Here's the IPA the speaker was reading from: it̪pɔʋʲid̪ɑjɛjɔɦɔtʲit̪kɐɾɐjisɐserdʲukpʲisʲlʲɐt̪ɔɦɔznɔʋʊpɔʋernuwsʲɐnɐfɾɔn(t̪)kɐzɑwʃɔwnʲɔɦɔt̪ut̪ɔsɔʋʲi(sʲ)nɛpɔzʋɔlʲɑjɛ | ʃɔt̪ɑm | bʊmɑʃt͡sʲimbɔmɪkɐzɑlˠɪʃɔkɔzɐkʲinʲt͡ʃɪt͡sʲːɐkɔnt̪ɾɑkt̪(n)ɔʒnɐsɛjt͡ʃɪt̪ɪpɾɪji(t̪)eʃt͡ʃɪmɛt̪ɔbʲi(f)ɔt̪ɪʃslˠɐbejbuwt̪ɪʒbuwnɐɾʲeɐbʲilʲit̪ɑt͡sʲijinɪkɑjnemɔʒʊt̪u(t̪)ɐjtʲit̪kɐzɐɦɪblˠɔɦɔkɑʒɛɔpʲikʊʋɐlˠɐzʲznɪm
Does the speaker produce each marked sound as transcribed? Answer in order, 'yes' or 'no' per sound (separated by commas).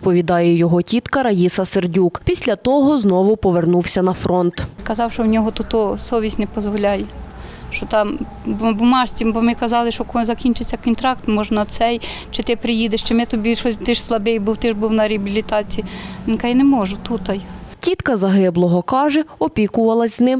yes, yes, no, no, no, yes